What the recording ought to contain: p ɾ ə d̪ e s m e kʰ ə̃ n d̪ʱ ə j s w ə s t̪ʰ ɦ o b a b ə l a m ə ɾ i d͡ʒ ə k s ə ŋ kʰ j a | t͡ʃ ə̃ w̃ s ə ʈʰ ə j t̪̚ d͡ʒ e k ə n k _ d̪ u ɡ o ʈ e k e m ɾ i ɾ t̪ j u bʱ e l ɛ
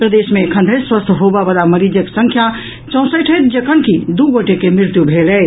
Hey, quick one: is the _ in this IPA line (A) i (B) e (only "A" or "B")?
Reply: A